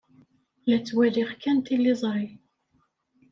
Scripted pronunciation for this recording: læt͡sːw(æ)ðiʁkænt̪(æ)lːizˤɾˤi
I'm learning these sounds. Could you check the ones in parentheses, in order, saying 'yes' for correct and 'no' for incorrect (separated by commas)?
yes, no